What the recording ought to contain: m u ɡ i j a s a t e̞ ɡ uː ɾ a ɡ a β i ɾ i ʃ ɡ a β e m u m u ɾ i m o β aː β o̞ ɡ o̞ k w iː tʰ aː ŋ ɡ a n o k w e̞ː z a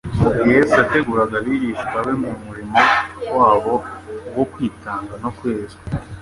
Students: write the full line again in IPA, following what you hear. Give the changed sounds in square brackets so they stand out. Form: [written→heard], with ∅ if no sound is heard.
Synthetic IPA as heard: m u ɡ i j [a→e] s a t e̞ ɡ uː ɾ a ɡ a β i ɾ i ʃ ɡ a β e m u m u ɾ i m o [β→w] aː β o̞ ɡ o̞ k w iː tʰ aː ŋ ɡ a n o k w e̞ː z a